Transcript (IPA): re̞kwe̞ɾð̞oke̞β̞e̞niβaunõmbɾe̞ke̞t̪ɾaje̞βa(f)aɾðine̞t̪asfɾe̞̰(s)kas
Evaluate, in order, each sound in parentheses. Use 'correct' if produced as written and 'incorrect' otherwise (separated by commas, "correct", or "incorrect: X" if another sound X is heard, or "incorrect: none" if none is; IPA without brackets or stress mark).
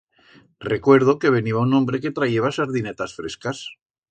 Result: incorrect: s, correct